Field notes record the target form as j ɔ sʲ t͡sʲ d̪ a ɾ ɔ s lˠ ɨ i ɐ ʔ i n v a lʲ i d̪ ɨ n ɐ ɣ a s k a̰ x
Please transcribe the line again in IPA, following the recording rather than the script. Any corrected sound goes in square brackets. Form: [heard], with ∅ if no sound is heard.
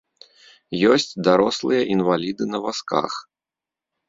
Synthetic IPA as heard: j ɔ sʲ t͡sʲ d̪ a ɾ ɔ s lˠ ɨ [j] ɐ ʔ i n v a lʲ i d̪ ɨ n ɐ [v] a s k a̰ x

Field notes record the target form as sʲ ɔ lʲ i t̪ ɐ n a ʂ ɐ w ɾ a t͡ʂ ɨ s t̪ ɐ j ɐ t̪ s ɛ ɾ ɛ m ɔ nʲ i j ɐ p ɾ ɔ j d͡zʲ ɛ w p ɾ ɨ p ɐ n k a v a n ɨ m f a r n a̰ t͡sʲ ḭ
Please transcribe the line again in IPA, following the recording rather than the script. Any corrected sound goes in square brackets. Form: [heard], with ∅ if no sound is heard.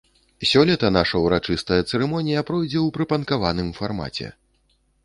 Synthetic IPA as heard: sʲ ɔ lʲ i t̪ ɐ n a ʂ ɐ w ɾ a t͡ʂ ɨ s t̪ ɐ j ɐ t̪ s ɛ ɾ ɛ m ɔ nʲ i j ɐ p ɾ ɔ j d͡zʲ ɛ w p ɾ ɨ p ɐ n k a v a n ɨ m f a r [m] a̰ t͡sʲ [ɛ̰]

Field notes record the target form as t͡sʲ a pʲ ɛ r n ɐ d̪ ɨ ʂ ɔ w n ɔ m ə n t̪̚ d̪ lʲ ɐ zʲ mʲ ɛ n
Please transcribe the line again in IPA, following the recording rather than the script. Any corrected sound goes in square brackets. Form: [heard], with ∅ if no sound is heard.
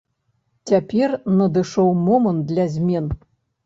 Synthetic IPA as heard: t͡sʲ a pʲ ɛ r n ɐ d̪ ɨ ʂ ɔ w [m] ɔ m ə n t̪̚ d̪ lʲ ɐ zʲ mʲ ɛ n

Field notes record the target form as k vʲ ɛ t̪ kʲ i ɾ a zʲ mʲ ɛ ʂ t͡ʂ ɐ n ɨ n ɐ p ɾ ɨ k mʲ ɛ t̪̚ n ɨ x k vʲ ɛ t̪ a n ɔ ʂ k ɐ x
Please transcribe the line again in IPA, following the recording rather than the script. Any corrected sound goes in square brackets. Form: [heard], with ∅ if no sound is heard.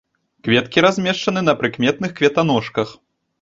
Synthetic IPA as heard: k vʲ ɛ t̪ kʲ i ɾ a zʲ mʲ ɛ ʂ t͡ʂ ɐ n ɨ n ɐ p ɾ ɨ k mʲ ɛ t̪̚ n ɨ x k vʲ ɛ t̪ a n ɔ ʂ k ɐ x

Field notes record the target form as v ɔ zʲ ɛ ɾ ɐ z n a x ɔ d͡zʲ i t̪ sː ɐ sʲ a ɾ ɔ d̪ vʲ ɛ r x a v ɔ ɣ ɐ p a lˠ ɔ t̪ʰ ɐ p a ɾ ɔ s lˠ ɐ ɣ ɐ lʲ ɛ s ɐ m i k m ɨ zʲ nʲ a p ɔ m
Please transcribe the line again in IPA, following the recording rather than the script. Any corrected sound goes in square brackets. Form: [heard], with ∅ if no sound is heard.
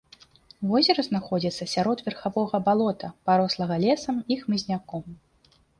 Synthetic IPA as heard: v ɔ zʲ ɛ ɾ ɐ z n a x ɔ d͡zʲ i t̪ sː ɐ sʲ a ɾ ɔ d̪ vʲ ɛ r x a v ɔ ɣ ɐ [b] a lˠ ɔ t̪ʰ ɐ p a ɾ ɔ s lˠ ɐ ɣ ɐ lʲ ɛ s ɐ m i [x] m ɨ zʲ nʲ a [k] ɔ m

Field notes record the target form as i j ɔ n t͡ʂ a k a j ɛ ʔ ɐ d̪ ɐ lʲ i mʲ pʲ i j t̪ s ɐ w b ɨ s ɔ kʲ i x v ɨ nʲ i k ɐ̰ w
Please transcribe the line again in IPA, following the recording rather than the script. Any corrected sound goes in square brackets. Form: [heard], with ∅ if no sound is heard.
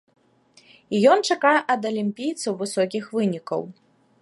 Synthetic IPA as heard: i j ɔ n t͡ʂ a k a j ɛ ʔ ɐ d̪ ɐ lʲ i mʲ pʲ i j t̪ s ɐ w [v] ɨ s ɔ kʲ i x v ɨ nʲ i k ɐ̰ w

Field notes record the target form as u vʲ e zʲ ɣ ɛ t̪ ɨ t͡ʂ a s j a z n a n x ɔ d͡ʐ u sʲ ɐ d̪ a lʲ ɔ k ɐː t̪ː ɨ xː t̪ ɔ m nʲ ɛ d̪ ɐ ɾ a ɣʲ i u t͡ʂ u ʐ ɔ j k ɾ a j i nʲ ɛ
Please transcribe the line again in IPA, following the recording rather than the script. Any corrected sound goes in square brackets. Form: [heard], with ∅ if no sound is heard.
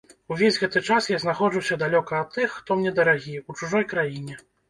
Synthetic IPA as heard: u vʲ e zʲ ɣ ɛ t̪ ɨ t͡ʂ a s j a z n a [∅] x ɔ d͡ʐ u sʲ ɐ d̪ a lʲ ɔ k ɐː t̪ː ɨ xː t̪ ɔ m nʲ ɛ d̪ ɐ ɾ a ɣʲ i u t͡ʂ u ʐ ɔ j k ɾ a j i nʲ ɛ

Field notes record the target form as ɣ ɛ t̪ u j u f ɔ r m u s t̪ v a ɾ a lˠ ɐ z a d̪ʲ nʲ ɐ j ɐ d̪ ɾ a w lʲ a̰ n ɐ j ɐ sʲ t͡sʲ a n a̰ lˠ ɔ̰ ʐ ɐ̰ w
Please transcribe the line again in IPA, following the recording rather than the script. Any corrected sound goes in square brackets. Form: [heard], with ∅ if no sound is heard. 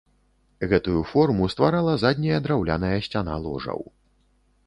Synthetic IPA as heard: ɣ ɛ t̪ u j u f ɔ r m u s t̪ v a ɾ a lˠ ɐ z a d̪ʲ nʲ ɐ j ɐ d̪ ɾ a w lʲ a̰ n ɐ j ɐ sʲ t͡sʲ a n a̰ lˠ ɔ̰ ʐ ɐ̰ w

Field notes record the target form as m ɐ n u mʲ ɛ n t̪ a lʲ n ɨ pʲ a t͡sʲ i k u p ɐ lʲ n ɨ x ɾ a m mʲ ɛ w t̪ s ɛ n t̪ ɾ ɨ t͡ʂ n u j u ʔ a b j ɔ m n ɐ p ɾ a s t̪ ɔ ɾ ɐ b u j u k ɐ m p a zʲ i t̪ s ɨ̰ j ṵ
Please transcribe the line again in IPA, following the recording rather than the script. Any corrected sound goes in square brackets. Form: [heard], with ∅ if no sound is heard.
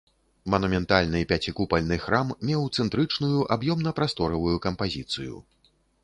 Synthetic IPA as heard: m ɐ n u mʲ ɛ n t̪ a lʲ n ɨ pʲ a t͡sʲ i k u p ɐ lʲ n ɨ x ɾ a m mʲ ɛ w t̪ s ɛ n t̪ ɾ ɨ t͡ʂ n u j u ʔ a b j ɔ m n ɐ p ɾ a s t̪ ɔ ɾ ɐ [v] u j u k ɐ m p a zʲ i t̪ s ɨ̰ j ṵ

